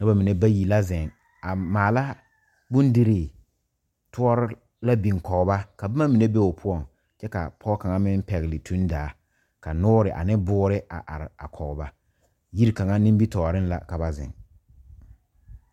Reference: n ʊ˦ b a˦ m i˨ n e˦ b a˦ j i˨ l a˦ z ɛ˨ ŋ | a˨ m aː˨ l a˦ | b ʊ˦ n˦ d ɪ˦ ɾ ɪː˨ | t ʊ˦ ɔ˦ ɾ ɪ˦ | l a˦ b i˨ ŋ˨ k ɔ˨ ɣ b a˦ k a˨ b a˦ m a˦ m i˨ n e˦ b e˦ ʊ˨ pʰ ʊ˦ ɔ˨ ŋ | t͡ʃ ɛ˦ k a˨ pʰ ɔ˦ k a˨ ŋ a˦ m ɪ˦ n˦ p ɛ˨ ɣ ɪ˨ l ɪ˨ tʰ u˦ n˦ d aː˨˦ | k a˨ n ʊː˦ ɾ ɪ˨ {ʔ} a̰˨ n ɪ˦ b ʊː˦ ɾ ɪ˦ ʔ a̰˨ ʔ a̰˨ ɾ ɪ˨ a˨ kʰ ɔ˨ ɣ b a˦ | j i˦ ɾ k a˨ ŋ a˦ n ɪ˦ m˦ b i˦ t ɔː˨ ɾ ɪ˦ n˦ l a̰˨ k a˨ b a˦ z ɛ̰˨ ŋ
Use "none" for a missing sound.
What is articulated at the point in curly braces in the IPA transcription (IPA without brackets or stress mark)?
ʔ